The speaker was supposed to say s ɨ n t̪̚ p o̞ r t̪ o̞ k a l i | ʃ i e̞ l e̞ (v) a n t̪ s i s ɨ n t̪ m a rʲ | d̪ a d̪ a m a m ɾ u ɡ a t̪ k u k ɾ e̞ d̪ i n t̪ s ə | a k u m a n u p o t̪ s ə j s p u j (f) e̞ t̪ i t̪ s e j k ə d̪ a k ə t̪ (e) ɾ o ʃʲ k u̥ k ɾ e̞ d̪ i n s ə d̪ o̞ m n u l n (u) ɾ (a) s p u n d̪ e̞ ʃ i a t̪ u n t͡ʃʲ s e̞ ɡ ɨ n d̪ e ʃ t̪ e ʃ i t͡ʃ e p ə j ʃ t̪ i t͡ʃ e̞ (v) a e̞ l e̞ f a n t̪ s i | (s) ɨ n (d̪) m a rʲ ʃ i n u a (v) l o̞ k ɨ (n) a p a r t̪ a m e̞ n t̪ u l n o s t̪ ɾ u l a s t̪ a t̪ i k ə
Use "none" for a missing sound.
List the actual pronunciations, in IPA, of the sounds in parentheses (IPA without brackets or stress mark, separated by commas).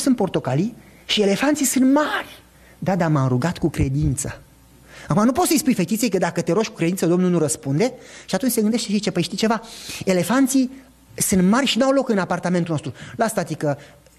f, f, e, u, ə, v, s, t̪, w, n